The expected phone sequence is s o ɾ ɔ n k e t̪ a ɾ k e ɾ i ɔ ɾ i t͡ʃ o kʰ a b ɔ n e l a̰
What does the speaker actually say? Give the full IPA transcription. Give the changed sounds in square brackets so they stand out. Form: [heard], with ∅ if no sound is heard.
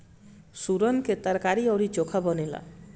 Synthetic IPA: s [u] ɾ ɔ n k e t̪ a ɾ k [a] ɾ i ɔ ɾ i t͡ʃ o kʰ a b ɔ n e l a̰